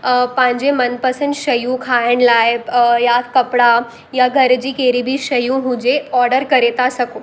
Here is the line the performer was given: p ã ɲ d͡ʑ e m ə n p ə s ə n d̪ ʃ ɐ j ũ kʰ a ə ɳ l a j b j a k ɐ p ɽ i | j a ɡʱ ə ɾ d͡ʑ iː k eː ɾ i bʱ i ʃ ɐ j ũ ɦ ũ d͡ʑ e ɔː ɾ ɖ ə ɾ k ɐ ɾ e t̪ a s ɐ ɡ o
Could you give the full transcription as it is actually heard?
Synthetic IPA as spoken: p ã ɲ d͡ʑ e m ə n p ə s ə n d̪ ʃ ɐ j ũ kʰ a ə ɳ l a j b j a k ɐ p ɽ a | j a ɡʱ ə ɾ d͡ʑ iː k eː ɾ i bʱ i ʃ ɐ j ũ ɦ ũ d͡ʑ e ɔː ɾ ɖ ə ɾ k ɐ ɾ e t̪ a s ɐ k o